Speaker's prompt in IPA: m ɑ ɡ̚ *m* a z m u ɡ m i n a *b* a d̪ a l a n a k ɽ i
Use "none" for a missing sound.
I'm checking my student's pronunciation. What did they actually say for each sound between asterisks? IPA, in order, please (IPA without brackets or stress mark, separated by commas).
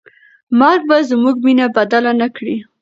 b, b